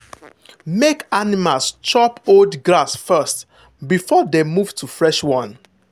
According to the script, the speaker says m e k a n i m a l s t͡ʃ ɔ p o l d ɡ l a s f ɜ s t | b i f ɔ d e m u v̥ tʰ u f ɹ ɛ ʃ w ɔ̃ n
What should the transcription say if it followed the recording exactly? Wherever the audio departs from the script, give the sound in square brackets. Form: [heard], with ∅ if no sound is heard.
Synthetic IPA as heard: m e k a n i m a l s t͡ʃ ɔ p o l d ɡ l a s f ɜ s t | b i f ɔ d e m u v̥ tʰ u f ɹ ɛ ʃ w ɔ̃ n